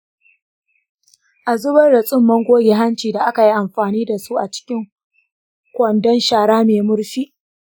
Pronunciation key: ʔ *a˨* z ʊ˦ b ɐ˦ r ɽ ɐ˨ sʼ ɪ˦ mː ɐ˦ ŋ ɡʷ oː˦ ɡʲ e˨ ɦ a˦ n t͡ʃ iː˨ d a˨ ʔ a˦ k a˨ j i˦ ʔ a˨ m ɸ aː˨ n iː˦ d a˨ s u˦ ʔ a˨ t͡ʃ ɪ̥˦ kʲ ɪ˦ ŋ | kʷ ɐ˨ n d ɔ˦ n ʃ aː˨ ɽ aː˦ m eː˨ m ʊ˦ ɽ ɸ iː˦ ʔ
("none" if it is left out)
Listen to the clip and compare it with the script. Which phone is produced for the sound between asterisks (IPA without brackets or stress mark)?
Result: a˨